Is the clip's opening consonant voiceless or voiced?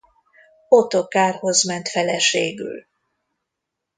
voiceless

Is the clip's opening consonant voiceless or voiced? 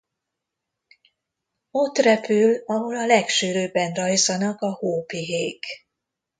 voiceless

